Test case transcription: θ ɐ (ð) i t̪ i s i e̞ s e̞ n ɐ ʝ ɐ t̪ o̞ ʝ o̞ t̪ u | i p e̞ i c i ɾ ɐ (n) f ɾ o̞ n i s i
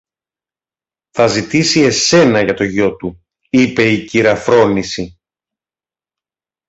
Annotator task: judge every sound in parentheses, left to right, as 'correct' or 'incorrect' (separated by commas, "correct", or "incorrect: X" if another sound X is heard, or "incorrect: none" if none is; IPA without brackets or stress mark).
incorrect: z, incorrect: none